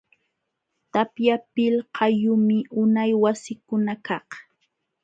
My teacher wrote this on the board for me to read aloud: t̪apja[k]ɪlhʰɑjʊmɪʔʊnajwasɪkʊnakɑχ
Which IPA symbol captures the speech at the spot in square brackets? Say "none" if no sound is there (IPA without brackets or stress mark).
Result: p